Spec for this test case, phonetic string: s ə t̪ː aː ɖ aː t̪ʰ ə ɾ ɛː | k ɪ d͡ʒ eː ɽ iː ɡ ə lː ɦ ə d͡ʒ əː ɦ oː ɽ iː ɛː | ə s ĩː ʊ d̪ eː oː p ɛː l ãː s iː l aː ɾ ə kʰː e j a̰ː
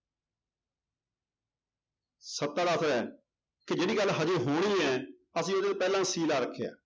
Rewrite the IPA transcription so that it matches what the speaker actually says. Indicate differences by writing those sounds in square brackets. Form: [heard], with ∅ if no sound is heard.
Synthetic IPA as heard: s ə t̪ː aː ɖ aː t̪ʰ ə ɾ ɛː | k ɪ d͡ʒ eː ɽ iː ɡ ə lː ɦ ə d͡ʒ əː ɦ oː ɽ iː ɛː | ə s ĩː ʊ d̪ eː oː p ɛː l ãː s iː l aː ɾ ə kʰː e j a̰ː